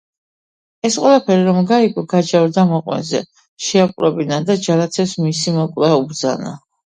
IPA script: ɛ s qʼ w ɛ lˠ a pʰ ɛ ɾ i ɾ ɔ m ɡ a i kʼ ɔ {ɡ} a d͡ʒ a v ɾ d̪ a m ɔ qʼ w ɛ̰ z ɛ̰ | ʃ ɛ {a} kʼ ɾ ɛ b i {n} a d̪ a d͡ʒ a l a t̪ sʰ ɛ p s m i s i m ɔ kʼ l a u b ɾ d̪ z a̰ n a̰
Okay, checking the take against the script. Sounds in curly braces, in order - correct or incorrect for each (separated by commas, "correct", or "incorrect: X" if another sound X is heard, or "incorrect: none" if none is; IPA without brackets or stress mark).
correct, correct, correct